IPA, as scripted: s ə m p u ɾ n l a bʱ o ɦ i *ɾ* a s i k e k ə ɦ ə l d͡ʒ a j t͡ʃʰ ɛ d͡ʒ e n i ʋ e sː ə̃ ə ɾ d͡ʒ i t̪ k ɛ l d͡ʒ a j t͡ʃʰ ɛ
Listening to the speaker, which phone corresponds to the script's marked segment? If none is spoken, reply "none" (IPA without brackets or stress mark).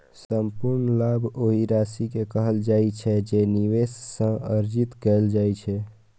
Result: ɾ